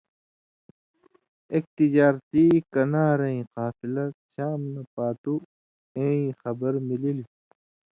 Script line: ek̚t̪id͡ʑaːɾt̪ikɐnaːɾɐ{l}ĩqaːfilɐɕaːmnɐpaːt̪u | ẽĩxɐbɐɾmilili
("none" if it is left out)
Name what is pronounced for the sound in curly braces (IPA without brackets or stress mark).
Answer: none